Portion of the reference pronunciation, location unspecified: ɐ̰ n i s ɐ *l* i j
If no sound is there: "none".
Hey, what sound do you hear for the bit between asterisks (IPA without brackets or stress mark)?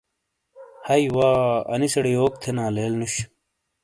ɽ